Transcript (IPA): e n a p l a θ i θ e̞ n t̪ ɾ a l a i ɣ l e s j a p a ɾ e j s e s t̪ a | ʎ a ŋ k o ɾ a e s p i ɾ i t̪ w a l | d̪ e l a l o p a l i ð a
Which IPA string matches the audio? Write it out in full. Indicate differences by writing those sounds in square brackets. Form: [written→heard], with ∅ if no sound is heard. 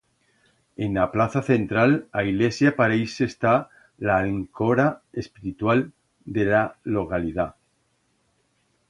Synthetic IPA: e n a p l a θ [i→a] θ e̞ n t̪ ɾ a l a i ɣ l e s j a p a ɾ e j s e s t̪ a | [ʎ→l] a ŋ k o ɾ a e s p i ɾ i t̪ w a l | d̪ e l a l o [p→k] a l i ð a